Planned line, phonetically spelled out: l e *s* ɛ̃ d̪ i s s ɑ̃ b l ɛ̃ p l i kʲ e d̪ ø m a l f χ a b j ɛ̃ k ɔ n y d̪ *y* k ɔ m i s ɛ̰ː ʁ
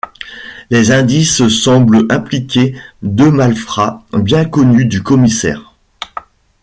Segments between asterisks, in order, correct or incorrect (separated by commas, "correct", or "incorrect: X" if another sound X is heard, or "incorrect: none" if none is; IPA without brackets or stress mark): incorrect: z, correct